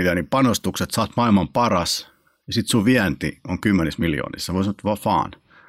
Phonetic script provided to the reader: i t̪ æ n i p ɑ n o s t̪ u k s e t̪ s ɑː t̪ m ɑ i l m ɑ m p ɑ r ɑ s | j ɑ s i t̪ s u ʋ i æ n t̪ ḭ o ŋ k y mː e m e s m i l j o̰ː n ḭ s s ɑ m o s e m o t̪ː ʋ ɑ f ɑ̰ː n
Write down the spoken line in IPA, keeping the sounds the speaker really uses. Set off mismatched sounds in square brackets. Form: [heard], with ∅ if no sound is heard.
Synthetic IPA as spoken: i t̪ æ n i p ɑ n o s t̪ u k s e t̪ s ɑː t̪ m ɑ i l m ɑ m p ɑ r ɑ s | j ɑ s i t̪ s u ʋ i æ n t̪ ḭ o ŋ k y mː e [n] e s m i l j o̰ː n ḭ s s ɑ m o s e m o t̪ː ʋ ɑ f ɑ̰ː n